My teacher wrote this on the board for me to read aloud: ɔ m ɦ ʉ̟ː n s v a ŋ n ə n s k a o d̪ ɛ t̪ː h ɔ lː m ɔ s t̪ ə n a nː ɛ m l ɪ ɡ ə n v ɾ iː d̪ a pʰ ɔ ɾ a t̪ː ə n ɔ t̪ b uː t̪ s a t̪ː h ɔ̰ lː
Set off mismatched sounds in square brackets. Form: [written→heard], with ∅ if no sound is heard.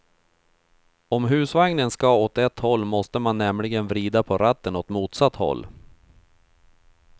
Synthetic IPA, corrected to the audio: ɔ m ɦ ʉ̟ː [n→∅] s v a ŋ n ə n s k a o [d̪→t̪] ɛ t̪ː h ɔ lː m ɔ s t̪ ə [n→m] a nː ɛ m l ɪ ɡ ə n v ɾ iː d̪ a pʰ ɔ ɾ a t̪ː ə n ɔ t̪ [b→m] uː t̪ s a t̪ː h ɔ̰ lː